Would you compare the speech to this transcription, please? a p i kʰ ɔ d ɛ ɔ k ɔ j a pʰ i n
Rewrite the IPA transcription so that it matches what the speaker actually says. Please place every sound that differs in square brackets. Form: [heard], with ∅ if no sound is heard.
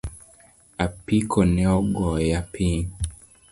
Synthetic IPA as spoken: a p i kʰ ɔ [n] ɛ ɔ [ɡ] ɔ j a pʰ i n